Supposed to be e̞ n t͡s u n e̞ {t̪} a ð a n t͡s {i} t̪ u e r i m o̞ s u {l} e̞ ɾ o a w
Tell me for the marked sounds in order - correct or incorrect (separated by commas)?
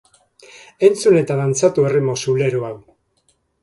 correct, incorrect, correct